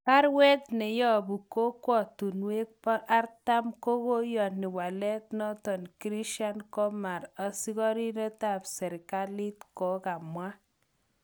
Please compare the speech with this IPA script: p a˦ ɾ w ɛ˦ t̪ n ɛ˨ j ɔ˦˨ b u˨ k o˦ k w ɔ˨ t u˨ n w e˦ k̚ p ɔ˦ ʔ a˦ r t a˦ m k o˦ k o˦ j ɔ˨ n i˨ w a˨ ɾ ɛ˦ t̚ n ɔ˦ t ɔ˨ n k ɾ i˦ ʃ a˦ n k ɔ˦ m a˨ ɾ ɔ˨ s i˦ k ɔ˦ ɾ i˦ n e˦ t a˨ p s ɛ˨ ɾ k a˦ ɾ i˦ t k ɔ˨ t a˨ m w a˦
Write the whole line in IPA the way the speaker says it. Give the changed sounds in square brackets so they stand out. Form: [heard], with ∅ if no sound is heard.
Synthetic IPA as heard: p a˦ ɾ w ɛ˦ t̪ n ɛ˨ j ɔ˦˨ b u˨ k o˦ k w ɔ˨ t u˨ n w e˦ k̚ p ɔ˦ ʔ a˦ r t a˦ m k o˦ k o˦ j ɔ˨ n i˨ w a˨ [l] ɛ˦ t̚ n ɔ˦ t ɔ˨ n k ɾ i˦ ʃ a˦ n k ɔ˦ m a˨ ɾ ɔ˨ s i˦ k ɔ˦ ɾ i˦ n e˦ t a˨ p s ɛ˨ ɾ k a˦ [l] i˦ t k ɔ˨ [k] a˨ m w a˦

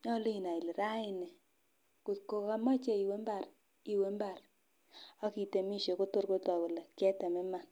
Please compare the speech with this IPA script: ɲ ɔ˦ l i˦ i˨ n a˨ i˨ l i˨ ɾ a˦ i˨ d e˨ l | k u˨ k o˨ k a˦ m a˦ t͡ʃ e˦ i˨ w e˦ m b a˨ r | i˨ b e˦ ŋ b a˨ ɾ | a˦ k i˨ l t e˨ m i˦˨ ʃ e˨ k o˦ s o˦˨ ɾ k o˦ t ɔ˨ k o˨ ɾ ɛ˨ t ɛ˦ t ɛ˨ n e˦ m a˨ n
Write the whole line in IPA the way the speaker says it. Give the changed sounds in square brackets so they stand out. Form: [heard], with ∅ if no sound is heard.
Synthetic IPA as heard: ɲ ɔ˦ l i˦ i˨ n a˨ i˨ l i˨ ɾ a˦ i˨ [n] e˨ [∅] | k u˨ k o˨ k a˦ m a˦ t͡ʃ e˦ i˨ w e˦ m b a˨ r | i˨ [w] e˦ [m] b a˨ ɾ | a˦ k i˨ [∅] t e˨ m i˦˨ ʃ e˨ k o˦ [t] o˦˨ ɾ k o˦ t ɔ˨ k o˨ [l] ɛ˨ [k] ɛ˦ t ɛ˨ [m] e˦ m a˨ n

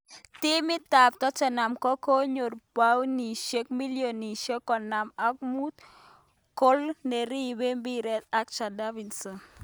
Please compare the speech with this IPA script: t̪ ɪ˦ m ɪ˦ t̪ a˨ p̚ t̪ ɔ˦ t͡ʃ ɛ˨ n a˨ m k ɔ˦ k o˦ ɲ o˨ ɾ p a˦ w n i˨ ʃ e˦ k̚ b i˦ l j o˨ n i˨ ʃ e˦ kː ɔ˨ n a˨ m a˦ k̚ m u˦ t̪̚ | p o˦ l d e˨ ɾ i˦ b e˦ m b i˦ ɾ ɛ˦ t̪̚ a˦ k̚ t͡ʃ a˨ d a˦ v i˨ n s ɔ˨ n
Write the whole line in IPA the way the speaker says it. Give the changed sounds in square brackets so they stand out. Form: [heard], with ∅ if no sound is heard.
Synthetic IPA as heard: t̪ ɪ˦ m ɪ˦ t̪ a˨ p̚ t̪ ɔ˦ t͡ʃ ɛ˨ n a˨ m k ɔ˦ k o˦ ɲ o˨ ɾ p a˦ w n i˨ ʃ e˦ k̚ [m] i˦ l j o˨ n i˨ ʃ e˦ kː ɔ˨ n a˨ m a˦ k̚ m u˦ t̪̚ | [k] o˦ l [n] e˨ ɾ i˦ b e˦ m b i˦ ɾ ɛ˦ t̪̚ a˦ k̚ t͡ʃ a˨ d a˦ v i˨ n s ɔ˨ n

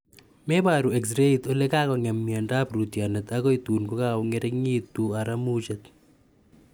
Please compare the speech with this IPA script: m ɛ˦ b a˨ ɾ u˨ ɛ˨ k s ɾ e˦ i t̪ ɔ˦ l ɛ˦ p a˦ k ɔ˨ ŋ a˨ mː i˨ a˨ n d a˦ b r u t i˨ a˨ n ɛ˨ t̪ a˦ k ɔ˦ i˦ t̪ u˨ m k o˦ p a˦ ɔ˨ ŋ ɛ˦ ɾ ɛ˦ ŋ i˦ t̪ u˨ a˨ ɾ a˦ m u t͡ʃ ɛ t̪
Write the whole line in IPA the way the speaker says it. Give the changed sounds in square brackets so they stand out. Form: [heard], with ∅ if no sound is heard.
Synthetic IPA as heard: m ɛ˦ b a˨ ɾ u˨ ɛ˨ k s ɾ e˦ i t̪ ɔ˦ l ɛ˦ [k] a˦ k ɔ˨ ŋ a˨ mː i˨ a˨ n d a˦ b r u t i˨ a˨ n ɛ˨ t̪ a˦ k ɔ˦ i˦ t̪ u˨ [n] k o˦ [k] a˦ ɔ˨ ŋ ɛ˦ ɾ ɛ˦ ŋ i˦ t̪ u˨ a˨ ɾ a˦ m u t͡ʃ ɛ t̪

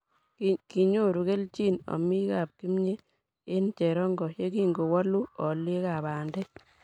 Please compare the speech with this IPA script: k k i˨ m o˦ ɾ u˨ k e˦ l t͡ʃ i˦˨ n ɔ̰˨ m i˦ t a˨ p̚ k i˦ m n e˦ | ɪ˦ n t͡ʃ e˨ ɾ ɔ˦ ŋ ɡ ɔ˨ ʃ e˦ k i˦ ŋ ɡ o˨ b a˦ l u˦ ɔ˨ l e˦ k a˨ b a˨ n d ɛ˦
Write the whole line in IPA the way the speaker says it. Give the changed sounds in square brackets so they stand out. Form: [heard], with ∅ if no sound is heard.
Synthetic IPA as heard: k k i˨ [ɲ] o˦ ɾ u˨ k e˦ l t͡ʃ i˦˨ n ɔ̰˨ m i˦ [k] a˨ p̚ k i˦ m [ɲ] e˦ | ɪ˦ n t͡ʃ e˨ ɾ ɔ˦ ŋ ɡ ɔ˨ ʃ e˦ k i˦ ŋ ɡ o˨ [w] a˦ l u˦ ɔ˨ l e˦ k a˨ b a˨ n d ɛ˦

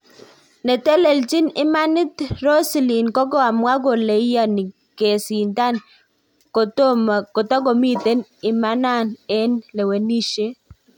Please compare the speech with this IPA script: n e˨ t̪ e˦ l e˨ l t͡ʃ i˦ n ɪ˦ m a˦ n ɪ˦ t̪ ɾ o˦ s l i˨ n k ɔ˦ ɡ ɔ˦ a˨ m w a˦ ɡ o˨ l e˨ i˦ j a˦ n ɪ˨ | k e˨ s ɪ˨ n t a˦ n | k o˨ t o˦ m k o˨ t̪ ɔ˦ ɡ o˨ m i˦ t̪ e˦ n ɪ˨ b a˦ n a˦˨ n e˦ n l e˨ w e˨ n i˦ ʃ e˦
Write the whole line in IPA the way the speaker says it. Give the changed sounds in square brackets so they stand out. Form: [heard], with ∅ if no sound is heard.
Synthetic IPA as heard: n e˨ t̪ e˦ l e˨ l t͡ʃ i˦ n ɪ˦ m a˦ n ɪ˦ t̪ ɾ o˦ s l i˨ n k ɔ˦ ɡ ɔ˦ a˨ m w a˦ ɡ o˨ l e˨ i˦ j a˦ n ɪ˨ | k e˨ s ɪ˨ n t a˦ n | k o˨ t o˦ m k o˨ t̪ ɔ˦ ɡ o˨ m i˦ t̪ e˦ n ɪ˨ [m] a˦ n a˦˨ n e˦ n l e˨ w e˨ n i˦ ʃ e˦

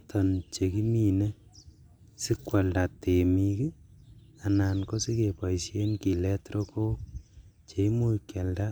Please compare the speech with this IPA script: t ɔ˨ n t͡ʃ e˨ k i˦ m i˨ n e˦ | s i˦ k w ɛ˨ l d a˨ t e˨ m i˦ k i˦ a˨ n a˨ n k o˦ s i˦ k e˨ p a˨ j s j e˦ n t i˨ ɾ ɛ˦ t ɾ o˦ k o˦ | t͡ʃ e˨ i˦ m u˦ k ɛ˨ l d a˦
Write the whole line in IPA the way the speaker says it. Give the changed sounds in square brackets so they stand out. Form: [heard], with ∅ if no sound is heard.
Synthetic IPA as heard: t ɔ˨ n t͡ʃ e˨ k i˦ m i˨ n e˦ | s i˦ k w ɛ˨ l d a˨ t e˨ m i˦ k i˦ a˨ n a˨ n k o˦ s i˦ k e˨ p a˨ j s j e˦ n [k] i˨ [l] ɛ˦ t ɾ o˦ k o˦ | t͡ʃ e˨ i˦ m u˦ k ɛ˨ l d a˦

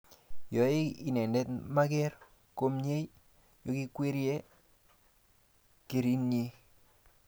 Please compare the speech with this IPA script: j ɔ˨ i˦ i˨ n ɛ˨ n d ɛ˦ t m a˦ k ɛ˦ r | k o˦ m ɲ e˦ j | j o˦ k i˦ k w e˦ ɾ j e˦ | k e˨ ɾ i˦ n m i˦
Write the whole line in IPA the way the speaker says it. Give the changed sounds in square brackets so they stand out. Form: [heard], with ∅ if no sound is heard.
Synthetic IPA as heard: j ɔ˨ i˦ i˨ n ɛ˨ n d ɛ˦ t m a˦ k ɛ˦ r | k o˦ m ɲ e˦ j | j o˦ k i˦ k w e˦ ɾ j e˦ | k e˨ ɾ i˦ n [ɲ] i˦

